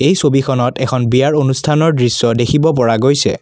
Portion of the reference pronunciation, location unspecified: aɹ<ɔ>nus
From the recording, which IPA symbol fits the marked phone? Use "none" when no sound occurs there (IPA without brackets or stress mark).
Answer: o